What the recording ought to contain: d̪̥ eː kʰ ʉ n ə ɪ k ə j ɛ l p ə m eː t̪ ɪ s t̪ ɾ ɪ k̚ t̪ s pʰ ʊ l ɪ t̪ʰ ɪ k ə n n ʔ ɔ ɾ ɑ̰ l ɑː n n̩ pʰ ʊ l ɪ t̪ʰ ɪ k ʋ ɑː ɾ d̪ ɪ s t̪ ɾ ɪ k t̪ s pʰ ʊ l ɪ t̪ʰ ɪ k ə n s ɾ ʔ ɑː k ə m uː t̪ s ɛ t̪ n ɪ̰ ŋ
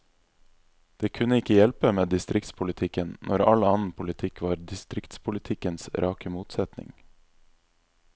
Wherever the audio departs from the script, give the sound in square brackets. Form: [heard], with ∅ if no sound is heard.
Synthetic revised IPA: d̪̥ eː kʰ ʉ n ə ɪ k ə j ɛ l p ə m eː [d̪] ɪ s t̪ ɾ ɪ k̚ t̪ s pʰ ʊ l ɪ t̪ʰ ɪ k ə n n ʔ ɔ ɾ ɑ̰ l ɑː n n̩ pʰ ʊ l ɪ t̪ʰ ɪ k ʋ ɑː ɾ d̪ ɪ s t̪ ɾ ɪ k t̪ s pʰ ʊ l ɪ t̪ʰ ɪ k ə n s ɾ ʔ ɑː k ə m uː t̪ s ɛ t̪ n ɪ̰ ŋ